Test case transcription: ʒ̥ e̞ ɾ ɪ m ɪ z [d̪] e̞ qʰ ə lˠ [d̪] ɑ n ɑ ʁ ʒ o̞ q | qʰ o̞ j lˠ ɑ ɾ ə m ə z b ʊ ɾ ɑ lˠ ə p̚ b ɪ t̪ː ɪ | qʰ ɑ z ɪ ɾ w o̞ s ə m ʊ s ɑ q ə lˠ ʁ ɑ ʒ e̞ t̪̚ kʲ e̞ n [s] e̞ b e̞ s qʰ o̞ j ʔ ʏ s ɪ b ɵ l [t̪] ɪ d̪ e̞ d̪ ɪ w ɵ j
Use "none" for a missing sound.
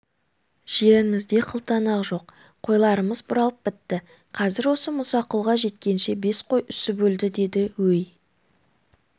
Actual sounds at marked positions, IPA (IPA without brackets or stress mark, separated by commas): d̪, t̪, ʃ, d̪